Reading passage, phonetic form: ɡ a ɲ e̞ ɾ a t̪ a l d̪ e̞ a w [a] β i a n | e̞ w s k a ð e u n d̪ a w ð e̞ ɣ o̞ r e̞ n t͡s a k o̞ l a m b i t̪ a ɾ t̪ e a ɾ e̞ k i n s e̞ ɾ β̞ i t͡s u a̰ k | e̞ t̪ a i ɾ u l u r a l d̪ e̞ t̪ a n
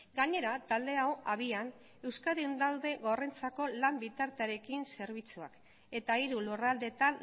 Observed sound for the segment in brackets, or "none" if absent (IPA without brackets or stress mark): a